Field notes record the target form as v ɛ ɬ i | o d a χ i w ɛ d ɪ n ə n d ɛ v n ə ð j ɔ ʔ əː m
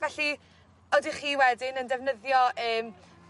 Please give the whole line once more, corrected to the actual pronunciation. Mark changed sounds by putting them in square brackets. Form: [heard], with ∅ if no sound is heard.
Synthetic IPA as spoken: v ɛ ɬ i | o d [i] χ [iː] w ɛ d ɪ n ə n d ɛ v n ə ð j ɔ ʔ əː m